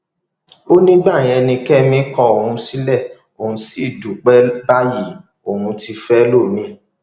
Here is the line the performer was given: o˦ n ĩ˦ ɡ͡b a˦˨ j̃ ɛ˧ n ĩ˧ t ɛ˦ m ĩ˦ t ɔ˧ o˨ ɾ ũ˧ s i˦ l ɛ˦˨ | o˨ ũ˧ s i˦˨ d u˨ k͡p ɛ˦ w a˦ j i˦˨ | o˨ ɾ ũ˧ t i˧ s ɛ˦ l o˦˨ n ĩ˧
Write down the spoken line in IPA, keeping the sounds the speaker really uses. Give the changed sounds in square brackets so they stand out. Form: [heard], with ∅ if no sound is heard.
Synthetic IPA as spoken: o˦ n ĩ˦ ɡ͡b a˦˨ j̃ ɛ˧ n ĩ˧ [k] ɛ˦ m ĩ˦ [k] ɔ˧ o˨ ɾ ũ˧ s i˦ l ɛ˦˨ | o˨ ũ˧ s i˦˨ d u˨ k͡p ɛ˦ [b] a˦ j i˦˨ | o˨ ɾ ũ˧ t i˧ [f] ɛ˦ l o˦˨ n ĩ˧

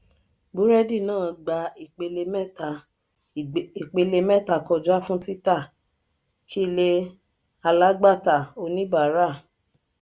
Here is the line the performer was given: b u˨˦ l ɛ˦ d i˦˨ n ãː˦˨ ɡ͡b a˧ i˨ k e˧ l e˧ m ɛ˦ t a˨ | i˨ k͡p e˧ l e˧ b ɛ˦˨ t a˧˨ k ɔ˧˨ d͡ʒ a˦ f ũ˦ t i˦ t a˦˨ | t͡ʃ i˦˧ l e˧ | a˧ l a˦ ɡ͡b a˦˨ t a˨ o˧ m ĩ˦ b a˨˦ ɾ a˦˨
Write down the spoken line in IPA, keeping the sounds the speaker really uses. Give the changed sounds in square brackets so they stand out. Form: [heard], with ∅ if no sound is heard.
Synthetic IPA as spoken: b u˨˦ [ɾ] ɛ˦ d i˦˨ n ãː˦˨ ɡ͡b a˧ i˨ [k͡p] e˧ l e˧ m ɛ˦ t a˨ | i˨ k͡p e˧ l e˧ [m] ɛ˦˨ t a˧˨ k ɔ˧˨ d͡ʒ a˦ f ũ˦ t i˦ t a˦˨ | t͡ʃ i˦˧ l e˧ | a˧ l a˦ ɡ͡b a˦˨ t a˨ o˧ [n] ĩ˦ b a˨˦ ɾ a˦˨

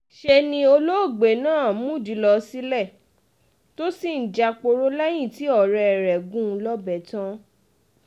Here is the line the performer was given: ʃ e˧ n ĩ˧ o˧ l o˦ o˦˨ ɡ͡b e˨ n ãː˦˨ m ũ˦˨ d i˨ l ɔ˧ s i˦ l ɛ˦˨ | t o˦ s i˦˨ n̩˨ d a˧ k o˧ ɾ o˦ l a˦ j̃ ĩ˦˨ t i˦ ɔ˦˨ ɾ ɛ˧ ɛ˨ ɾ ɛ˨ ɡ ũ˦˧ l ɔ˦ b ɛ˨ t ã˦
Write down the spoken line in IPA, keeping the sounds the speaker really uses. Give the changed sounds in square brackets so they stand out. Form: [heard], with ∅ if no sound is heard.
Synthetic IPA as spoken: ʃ e˧ n ĩ˧ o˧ l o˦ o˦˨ ɡ͡b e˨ n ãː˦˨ m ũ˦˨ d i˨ l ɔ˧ s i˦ l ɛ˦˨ | t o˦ s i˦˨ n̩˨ [d͡ʒ] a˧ [k͡p] o˧ ɾ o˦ l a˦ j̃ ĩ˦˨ t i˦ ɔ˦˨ ɾ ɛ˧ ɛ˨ ɾ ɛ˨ ɡ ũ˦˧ l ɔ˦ b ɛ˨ t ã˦

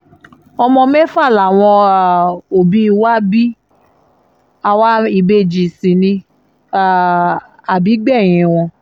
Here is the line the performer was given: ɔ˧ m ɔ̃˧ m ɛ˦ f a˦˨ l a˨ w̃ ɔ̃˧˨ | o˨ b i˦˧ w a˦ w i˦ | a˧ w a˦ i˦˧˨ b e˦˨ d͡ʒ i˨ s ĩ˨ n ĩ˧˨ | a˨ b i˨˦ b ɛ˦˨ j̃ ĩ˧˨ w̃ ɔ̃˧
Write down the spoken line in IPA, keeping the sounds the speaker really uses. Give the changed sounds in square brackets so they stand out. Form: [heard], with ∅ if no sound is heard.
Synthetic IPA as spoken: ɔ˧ m ɔ̃˧ m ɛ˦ f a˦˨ l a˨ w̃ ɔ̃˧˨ | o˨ b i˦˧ w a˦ [b] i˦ | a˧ w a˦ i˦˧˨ b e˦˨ d͡ʒ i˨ s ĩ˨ n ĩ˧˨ | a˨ b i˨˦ [ɡ͡b] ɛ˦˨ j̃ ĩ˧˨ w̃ ɔ̃˧

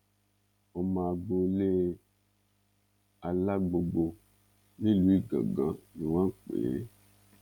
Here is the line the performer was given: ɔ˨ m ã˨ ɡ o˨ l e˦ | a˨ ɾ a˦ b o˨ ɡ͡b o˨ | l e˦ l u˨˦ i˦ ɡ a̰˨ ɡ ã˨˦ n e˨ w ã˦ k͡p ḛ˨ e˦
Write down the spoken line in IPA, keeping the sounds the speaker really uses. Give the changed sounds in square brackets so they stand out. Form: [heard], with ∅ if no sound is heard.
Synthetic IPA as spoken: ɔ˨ m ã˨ [ɡ͡b] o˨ l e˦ | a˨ [l] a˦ [ɡ͡b] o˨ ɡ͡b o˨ | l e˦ l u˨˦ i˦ ɡ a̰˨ ɡ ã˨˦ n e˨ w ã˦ k͡p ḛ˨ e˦

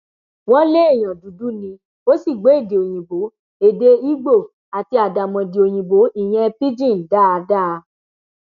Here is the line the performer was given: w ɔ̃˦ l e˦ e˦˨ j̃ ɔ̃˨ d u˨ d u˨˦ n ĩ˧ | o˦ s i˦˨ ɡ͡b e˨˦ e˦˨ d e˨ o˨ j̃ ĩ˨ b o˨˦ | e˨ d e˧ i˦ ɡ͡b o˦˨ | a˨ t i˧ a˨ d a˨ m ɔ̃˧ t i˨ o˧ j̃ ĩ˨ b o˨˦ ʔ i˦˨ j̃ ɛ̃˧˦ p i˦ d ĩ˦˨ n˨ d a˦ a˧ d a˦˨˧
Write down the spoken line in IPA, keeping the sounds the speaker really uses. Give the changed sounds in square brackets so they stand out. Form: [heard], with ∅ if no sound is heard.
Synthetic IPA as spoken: w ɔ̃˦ l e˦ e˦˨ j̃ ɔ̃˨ d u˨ d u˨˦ n ĩ˧ | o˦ s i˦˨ ɡ͡b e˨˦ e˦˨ d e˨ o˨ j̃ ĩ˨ b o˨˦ | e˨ d e˧ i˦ ɡ͡b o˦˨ | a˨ t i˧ a˨ d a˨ m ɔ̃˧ [d] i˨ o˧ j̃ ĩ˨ b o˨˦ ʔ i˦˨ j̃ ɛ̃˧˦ p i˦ [d͡ʒ] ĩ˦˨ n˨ d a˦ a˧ d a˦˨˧

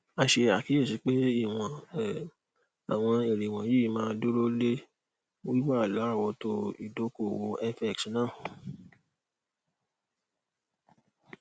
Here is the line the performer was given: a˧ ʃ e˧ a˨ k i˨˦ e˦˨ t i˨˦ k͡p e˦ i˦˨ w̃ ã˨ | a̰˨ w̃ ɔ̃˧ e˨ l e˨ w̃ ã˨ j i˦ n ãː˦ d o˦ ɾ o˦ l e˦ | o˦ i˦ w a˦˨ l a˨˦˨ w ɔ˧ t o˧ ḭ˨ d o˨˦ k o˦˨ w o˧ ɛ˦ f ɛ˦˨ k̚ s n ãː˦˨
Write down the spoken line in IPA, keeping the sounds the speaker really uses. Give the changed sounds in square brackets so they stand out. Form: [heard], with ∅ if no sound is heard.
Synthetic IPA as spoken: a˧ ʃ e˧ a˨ k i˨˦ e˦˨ [s] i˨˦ k͡p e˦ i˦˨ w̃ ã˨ | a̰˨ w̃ ɔ̃˧ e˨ [ɾ] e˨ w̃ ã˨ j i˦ [m] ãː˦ d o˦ ɾ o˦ l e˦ | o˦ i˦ w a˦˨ l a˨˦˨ w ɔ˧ t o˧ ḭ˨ d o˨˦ k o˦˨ w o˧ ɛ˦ f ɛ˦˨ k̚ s n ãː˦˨

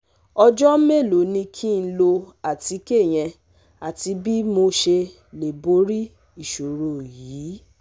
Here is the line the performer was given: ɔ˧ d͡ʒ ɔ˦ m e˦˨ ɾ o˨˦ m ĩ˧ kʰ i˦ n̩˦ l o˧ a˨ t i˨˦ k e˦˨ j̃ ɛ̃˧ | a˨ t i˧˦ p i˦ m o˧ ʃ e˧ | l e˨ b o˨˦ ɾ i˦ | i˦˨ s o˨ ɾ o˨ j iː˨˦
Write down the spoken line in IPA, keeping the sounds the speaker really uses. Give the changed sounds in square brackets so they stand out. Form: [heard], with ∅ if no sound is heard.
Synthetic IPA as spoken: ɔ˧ d͡ʒ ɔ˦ m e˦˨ [l] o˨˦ [n] ĩ˧ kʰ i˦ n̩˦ l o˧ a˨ t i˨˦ k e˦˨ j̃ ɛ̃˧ | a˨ t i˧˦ [b] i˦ m o˧ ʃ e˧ | l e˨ b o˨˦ ɾ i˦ | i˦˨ [ʃ] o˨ ɾ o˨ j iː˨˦

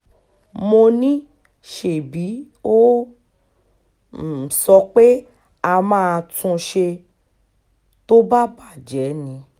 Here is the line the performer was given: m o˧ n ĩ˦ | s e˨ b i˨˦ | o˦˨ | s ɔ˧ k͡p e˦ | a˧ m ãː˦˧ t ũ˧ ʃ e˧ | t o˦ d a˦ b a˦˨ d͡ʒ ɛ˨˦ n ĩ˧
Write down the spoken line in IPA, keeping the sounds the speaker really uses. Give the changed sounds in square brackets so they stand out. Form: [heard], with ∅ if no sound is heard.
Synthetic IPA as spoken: m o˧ n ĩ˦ | [ʃ] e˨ b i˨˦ | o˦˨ | s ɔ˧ k͡p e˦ | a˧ m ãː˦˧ t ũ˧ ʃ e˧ | t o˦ [b] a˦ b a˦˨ d͡ʒ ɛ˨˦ n ĩ˧

